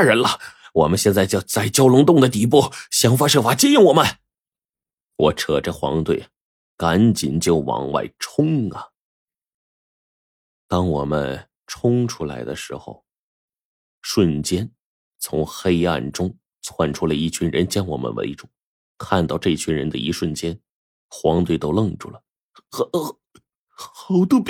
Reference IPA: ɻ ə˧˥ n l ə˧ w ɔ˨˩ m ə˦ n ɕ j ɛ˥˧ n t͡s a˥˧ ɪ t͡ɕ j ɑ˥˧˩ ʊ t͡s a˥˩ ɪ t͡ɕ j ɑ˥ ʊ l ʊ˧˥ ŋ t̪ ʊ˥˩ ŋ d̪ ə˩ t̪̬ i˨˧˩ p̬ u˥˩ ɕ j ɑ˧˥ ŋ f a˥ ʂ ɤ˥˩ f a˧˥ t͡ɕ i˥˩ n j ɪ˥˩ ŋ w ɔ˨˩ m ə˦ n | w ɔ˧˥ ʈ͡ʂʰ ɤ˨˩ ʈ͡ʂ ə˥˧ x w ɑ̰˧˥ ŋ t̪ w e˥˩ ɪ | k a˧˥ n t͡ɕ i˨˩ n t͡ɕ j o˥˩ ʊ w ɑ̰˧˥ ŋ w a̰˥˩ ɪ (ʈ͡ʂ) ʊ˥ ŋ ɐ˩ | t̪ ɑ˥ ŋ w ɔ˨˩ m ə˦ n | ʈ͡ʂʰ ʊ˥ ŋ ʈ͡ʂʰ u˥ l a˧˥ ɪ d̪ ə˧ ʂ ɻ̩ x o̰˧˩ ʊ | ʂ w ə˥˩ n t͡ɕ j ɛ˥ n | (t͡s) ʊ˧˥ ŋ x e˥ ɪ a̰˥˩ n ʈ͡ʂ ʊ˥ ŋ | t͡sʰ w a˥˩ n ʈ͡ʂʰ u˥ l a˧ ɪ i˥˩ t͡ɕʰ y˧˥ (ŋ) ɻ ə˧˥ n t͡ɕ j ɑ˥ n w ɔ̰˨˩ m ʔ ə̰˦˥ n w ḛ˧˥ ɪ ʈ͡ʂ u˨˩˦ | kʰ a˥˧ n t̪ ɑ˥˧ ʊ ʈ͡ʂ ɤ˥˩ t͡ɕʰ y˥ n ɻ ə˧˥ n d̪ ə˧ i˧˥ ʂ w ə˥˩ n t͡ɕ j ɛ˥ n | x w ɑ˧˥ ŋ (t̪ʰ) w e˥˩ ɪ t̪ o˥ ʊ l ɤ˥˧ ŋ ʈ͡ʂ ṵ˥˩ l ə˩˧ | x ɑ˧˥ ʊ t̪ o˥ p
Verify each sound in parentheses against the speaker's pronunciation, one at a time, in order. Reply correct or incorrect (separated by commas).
incorrect, incorrect, incorrect, incorrect